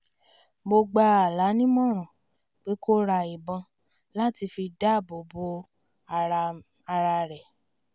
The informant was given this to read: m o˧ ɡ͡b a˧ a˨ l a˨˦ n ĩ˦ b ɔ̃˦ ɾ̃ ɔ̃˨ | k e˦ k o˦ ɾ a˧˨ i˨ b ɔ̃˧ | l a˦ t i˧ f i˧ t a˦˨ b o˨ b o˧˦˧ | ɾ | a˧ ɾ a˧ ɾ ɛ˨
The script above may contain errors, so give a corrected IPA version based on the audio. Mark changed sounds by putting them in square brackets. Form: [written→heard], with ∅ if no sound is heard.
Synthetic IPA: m o˧ ɡ͡b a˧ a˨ l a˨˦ n ĩ˦ [b→m] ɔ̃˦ ɾ̃ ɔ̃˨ | [k→k͡p] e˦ k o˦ ɾ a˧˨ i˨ b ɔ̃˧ | l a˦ t i˧ f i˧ [t→d] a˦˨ b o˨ b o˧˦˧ | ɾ | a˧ ɾ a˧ ɾ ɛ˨